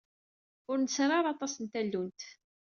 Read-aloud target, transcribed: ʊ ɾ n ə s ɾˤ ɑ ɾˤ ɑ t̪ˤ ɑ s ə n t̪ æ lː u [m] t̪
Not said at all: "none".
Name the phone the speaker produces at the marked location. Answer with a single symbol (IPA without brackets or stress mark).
n